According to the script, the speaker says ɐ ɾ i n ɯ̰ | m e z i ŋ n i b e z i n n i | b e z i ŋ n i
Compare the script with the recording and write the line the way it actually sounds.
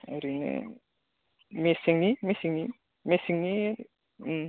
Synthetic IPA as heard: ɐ ɾ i n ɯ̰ | m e s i ŋ n i m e s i ŋ n i | m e s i ŋ n i